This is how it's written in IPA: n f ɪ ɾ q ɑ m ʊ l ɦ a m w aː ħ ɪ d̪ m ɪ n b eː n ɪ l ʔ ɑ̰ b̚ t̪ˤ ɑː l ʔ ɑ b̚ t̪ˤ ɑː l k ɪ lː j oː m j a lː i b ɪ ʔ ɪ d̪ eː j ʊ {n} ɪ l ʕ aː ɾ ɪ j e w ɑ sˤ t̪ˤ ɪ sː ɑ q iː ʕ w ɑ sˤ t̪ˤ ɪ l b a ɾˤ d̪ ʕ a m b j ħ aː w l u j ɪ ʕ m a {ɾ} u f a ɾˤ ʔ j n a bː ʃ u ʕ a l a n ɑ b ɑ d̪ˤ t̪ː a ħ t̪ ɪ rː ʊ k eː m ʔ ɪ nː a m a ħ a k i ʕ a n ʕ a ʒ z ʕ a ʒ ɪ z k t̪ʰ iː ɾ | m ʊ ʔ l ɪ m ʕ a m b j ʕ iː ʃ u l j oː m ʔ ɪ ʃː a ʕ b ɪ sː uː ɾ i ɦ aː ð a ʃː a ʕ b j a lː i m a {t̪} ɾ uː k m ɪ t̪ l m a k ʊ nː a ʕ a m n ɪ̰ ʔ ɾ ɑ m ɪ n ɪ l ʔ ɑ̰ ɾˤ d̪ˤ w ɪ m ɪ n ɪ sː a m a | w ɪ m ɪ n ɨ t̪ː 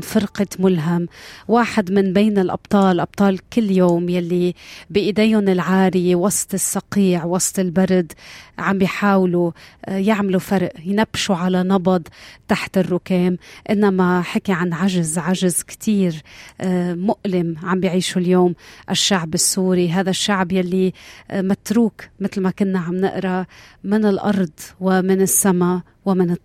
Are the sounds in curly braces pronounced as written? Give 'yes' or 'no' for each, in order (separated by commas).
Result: yes, no, yes